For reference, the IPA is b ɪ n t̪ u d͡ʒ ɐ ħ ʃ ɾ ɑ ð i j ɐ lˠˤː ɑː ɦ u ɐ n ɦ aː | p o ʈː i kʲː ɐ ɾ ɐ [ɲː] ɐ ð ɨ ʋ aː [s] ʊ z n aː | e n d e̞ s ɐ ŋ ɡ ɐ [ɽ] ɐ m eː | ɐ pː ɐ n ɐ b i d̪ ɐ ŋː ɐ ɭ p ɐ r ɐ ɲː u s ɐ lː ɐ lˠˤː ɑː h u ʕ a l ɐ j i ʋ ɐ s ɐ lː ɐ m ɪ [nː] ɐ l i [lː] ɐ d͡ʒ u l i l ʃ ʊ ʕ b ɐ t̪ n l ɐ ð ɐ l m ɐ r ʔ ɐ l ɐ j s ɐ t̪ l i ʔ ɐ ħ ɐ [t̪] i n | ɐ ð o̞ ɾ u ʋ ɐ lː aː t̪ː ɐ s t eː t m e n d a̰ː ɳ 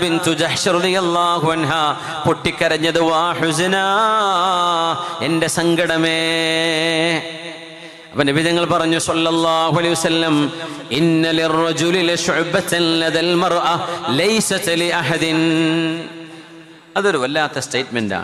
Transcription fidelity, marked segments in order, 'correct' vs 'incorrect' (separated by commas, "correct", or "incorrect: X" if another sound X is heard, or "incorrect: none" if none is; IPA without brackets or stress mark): correct, incorrect: ħ, correct, correct, incorrect: rː, incorrect: d̪